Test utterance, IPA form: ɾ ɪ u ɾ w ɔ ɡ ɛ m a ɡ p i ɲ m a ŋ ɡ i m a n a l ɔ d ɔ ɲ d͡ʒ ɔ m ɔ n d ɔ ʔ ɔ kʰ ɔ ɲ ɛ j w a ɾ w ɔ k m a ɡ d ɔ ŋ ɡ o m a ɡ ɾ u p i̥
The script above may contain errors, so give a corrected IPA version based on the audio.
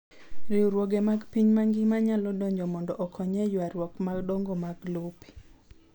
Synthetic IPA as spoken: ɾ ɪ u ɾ w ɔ ɡ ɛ m a ɡ p i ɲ m a ŋ ɡ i m a ɲ a l ɔ d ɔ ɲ d͡ʒ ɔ m ɔ n d ɔ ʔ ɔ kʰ ɔ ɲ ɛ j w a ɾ w ɔ k m a ɡ d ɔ ŋ ɡ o m a ɡ l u p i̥